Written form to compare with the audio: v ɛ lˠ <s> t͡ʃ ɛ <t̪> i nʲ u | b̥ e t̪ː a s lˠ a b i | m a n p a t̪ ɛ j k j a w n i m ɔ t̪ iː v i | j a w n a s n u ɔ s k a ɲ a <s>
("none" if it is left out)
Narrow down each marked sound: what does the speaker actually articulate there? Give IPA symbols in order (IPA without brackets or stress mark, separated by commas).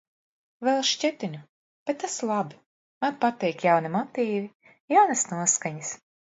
ʃ, t̪, s